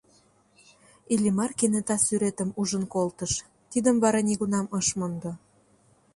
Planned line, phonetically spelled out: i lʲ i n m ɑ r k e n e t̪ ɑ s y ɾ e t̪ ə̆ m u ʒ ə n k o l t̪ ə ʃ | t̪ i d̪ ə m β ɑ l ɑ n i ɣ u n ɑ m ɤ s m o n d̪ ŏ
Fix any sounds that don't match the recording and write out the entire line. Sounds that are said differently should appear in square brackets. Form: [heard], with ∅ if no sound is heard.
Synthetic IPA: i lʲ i [∅] m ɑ r k e n e t̪ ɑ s y ɾ e t̪ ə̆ m u ʒ ə n k o l t̪ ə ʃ | t̪ i d̪ ə m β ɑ [ɾ] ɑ n i ɣ u n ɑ m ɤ [ʃ] m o n d̪ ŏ